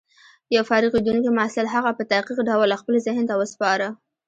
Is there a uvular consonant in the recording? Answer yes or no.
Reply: yes